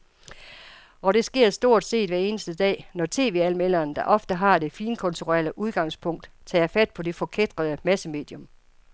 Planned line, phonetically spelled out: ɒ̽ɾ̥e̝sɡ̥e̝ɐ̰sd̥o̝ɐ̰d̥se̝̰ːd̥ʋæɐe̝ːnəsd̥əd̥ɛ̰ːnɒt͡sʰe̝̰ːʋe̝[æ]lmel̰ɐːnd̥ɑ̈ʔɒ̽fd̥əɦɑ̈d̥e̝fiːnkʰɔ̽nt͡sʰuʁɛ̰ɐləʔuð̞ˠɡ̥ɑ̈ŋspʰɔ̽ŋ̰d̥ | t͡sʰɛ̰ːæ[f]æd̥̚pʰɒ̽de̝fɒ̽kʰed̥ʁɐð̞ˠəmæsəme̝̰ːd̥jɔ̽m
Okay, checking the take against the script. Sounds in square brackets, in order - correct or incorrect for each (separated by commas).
correct, correct